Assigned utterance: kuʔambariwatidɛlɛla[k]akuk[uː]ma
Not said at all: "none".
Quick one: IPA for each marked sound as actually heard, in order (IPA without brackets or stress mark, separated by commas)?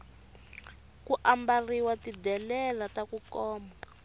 t, ɔː